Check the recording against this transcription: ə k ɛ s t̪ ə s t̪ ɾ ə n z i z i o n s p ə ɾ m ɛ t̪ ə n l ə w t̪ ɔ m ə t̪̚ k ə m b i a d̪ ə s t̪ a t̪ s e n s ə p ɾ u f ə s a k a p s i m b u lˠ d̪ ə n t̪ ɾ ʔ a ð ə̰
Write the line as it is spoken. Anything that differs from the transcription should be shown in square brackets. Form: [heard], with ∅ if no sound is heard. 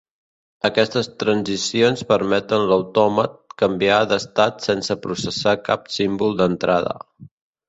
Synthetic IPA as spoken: ə k ɛ s t̪ ə s t̪ ɾ ə n z i [s] i o n s p ə ɾ m ɛ t̪ ə n l ə w t̪ ɔ m ə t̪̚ k ə m b i a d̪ ə s t̪ a t̪ s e n s ə p ɾ u [s] ə s a k a p s i m b u lˠ d̪ ə n t̪ ɾ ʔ a ð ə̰